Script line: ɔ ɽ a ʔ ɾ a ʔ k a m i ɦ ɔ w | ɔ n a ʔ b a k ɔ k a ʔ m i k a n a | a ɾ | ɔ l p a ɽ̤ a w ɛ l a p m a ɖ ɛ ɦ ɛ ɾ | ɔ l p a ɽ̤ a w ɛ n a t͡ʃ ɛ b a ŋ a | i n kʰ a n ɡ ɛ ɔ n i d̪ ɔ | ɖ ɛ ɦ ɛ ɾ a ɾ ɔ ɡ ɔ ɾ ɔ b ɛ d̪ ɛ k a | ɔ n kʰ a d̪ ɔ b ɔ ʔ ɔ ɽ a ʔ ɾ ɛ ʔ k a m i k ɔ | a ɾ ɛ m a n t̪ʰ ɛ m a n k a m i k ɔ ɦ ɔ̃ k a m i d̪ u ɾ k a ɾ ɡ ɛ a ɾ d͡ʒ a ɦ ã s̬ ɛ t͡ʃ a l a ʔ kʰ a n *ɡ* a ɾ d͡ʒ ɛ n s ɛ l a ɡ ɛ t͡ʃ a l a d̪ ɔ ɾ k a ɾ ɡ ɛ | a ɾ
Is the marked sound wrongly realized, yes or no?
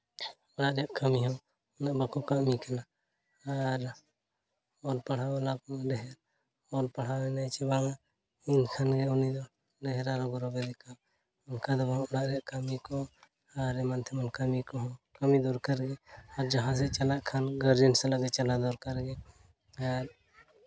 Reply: no